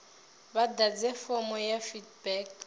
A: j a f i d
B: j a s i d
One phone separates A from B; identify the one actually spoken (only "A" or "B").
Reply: A